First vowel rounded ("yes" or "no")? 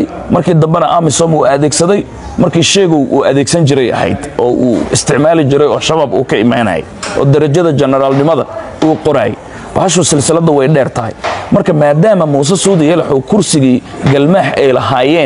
no